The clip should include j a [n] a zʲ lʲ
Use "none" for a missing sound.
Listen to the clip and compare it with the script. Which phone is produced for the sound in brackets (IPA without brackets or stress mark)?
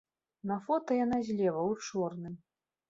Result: n